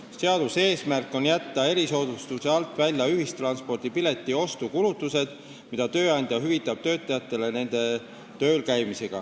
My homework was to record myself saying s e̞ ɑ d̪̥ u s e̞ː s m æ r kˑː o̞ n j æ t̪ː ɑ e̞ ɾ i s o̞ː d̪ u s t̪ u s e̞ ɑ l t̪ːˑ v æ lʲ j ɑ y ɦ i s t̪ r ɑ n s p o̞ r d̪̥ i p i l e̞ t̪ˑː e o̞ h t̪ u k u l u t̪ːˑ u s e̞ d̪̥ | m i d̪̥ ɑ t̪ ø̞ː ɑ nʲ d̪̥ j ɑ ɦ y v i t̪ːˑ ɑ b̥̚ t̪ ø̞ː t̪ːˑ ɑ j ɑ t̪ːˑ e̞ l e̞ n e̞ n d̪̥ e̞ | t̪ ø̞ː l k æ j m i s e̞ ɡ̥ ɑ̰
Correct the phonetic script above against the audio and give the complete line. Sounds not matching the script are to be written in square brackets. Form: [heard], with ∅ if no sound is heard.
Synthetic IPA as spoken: s e̞ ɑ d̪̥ u s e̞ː s m æ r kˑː o̞ n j æ t̪ː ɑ e̞ ɾ i s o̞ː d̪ u s t̪ u s e̞ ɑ l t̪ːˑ v æ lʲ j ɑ y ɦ i s t̪ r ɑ n s p o̞ r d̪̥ i p i l e̞ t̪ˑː [i] o̞ [s] t̪ u k u l u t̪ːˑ u s e̞ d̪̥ | m i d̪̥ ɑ t̪ ø̞ː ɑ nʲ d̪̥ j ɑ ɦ y v i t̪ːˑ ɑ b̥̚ t̪ ø̞ː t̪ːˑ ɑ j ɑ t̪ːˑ e̞ l e̞ n e̞ n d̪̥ e̞ | t̪ ø̞ː l k æ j m i s e̞ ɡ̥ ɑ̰

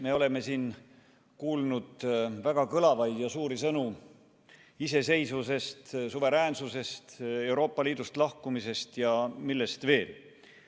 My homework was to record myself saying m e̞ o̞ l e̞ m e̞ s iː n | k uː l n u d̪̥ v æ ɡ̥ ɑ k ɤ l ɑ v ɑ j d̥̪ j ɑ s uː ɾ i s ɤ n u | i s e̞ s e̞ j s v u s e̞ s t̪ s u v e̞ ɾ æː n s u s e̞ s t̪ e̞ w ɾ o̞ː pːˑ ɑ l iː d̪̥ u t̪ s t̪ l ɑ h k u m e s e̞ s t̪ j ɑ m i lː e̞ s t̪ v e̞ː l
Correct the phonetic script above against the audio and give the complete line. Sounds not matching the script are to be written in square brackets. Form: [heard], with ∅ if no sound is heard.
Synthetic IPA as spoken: m e̞ o̞ l e̞ m e̞ s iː n | k uː l n u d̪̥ v æ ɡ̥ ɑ k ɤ l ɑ v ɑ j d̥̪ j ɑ s uː ɾ i s ɤ n u | i s e̞ s e̞ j s v u s e̞ s t̪ s u v e̞ ɾ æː n s u s e̞ s t̪ e̞ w ɾ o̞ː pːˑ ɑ l iː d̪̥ u [∅] s t̪ l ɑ h k u m [i] s e̞ s t̪ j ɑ m i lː e̞ s t̪ v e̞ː l

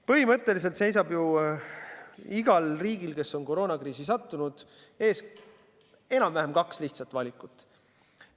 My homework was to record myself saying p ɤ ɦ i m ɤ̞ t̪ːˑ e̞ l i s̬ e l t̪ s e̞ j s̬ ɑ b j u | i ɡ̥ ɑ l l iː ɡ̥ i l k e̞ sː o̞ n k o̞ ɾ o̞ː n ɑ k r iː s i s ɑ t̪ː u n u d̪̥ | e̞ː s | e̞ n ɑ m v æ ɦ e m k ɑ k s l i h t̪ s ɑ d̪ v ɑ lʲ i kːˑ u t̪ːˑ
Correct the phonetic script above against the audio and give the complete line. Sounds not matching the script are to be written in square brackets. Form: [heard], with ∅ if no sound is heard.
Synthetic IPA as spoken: p ɤ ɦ i m ɤ̞ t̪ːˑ e̞ l i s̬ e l t̪ s e̞ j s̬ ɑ b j u | i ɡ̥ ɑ l [r] iː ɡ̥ i l k e̞ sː o̞ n k o̞ ɾ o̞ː n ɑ k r iː s i s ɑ t̪ː u n u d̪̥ | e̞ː s | e̞ n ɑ m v æ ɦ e m k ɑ k s l i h t̪ s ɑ [t̪] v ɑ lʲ i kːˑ u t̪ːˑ

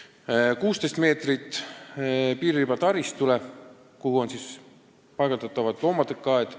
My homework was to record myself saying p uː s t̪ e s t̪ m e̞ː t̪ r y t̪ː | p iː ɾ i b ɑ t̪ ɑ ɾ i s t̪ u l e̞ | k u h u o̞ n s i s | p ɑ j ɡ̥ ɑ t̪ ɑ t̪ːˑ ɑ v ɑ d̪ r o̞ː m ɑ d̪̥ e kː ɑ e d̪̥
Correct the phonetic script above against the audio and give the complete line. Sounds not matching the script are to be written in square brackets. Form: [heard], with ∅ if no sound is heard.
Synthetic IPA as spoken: [k] uː s t̪ e s t̪ m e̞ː t̪ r [i] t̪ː | p iː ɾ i b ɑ t̪ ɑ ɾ i s t̪ u l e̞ | k u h u o̞ n s i s | p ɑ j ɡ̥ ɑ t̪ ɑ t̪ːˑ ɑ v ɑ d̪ [l] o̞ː m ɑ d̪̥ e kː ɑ e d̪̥

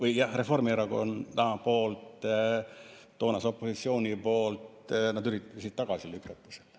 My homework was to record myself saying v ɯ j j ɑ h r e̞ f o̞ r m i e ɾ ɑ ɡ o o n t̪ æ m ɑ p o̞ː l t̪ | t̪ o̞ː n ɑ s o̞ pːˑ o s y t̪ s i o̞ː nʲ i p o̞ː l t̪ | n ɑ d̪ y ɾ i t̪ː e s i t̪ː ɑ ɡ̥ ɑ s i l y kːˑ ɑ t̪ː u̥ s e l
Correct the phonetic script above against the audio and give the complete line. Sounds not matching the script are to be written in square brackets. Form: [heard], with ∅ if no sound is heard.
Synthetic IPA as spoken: v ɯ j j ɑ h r e̞ f o̞ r m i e ɾ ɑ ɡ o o n t̪ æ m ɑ p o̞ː l t̪ | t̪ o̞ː n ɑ s o̞ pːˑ o s [i] t̪ s i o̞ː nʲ i p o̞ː l t̪ | n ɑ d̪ y ɾ i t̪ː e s i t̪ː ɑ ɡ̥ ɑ s i l y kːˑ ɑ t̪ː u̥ s e l

